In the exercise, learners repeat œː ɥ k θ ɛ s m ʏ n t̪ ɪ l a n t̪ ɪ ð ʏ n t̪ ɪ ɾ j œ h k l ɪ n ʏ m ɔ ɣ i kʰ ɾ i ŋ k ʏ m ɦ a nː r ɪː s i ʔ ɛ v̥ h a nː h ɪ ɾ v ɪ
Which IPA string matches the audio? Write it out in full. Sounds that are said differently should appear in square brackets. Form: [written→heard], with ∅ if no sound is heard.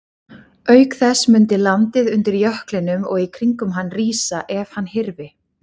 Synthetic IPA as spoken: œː ɥ k θ ɛ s m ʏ n t̪ ɪ l a n t̪ ɪ ð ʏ n t̪ ɪ ɾ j œ h k l ɪ n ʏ m ɔ ɣ i kʰ ɾ i ŋ k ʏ m ɦ a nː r [ɪː→iː] s [i→a] ʔ ɛ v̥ h a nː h ɪ ɾ v ɪ